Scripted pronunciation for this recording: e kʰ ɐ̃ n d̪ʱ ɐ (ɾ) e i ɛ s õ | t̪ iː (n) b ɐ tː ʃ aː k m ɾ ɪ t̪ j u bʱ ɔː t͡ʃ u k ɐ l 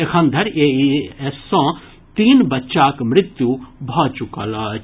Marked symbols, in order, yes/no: yes, yes

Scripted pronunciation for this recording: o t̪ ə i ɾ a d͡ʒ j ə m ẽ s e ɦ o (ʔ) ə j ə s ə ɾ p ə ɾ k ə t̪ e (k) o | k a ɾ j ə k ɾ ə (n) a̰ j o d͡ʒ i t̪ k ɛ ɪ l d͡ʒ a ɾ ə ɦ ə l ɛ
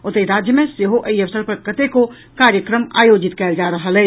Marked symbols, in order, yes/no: yes, yes, no

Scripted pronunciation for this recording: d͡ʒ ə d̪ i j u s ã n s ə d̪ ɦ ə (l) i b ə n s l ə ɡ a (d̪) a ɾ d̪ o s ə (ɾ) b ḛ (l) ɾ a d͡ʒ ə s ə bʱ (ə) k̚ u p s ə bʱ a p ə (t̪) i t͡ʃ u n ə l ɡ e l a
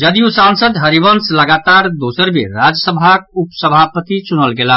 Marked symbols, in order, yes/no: no, no, yes, no, no, yes

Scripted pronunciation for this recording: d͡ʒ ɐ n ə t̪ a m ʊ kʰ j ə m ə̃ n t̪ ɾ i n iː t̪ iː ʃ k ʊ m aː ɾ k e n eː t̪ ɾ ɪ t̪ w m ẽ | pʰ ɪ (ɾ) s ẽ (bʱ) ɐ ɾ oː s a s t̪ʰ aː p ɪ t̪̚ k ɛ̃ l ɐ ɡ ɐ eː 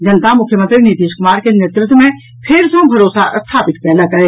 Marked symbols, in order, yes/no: yes, yes

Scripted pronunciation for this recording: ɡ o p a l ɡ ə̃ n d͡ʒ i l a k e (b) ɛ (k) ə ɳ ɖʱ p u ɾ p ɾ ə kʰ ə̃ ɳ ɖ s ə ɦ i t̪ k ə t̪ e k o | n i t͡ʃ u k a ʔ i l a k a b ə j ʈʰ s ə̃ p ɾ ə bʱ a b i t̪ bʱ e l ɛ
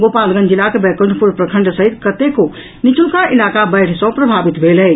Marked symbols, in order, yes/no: yes, yes

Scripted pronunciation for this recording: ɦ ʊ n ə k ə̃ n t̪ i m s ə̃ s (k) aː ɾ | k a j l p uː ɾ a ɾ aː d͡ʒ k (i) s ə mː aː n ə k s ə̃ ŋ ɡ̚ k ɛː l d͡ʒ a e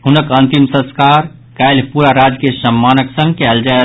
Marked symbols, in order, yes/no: yes, no

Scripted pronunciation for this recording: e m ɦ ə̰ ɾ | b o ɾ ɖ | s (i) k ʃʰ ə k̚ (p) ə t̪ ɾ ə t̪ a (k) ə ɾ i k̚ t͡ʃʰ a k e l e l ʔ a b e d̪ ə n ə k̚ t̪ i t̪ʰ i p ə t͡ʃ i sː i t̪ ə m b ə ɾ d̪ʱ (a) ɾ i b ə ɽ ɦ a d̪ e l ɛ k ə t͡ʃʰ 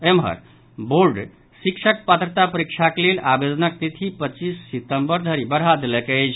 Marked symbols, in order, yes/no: yes, yes, no, no

